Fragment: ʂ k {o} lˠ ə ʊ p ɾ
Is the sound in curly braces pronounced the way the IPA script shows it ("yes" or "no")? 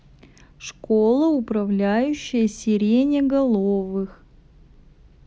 yes